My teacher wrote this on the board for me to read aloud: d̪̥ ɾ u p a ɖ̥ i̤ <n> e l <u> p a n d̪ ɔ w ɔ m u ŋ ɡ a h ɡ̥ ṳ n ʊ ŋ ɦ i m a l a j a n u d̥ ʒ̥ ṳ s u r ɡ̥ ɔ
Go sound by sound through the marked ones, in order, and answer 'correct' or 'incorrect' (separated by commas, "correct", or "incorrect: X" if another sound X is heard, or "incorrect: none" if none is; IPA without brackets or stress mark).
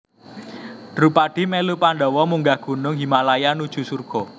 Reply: incorrect: m, correct